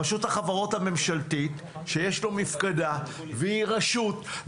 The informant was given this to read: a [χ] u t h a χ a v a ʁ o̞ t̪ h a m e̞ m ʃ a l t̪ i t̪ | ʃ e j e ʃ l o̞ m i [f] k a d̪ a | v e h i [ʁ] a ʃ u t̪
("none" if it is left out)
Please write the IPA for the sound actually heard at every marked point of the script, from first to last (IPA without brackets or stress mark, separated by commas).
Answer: ʃ, f, ʁ